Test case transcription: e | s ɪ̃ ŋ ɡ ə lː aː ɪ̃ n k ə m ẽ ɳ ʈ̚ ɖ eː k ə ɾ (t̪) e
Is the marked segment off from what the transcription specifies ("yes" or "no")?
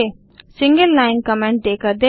yes